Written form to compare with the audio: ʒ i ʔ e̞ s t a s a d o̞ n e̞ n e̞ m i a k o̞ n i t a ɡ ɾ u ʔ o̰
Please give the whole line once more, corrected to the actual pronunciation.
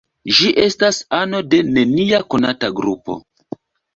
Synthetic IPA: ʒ i ʔ e̞ s t a s a n o̞ d e̞ n e̞ n i a k o̞ n a t a ɡ ɾ u p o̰